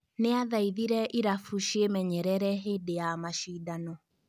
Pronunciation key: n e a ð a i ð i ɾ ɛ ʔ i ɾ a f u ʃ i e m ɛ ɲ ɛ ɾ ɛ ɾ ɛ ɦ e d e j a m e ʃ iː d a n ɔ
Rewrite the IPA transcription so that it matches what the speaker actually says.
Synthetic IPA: n e a ð a i ð i ɾ ɛ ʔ i ɾ a f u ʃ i e m ɛ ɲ ɛ ɾ ɛ ɾ ɛ ɦ e d e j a m a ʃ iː d a n ɔ